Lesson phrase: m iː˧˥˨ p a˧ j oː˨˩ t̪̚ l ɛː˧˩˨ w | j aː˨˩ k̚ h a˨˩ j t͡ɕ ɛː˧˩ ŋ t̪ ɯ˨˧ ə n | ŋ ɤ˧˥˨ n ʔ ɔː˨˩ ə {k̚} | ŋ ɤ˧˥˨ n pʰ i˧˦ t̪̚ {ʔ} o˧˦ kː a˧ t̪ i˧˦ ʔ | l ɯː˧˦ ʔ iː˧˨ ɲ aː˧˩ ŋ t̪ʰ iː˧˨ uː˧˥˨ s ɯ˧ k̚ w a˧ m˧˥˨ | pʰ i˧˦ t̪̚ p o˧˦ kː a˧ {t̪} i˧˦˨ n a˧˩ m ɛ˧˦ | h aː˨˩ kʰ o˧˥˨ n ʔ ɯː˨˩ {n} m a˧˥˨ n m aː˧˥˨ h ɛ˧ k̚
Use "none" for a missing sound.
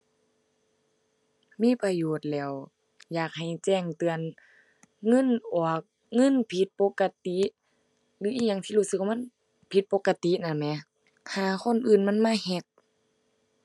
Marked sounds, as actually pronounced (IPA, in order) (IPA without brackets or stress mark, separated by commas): k̚, p, t̪, n